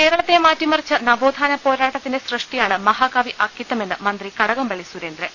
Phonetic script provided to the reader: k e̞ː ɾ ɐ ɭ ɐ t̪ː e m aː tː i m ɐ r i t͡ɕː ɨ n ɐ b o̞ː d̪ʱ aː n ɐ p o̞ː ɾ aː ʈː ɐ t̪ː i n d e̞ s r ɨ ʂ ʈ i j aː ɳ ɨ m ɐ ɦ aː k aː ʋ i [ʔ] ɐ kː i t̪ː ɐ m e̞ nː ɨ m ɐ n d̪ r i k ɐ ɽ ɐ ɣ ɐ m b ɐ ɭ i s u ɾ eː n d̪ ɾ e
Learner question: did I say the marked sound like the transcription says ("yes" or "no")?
yes